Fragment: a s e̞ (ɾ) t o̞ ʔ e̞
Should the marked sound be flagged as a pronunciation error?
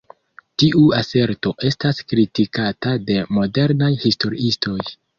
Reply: no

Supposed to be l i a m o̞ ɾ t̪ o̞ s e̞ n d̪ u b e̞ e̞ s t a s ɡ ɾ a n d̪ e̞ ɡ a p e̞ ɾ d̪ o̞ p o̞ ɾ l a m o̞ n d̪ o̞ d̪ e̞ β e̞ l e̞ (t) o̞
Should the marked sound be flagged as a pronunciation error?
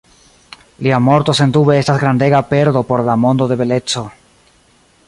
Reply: yes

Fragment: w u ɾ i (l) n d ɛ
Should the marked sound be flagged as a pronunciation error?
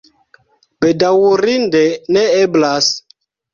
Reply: yes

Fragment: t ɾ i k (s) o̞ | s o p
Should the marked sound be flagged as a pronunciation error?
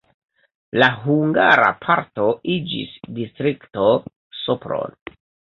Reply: yes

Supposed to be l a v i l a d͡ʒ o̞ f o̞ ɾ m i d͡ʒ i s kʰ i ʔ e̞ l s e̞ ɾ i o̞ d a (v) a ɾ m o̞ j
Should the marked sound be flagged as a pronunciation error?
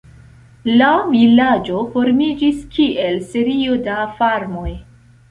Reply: yes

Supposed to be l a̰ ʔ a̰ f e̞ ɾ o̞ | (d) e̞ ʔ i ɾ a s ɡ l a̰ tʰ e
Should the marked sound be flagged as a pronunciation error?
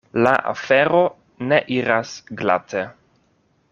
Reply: yes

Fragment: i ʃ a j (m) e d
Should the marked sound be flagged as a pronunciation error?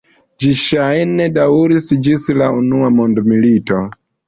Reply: yes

